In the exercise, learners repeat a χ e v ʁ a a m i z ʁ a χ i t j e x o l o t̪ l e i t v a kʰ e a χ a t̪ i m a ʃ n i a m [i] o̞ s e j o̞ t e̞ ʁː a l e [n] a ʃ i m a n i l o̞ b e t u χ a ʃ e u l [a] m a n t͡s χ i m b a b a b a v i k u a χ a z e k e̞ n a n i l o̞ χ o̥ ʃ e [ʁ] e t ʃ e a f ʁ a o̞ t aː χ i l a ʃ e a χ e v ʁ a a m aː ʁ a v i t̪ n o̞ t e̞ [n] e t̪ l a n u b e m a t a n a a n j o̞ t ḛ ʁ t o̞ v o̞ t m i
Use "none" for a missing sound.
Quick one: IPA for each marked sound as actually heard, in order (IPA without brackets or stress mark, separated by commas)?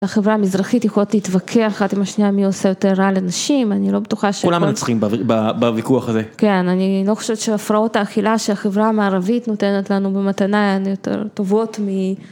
i, n, a, v, n